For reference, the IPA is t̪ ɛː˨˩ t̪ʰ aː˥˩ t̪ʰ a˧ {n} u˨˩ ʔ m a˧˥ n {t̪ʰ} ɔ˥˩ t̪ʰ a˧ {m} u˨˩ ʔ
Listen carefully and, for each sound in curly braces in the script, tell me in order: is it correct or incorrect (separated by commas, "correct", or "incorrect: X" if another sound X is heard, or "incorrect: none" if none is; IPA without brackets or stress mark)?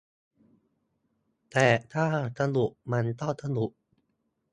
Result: correct, incorrect: t̪, incorrect: n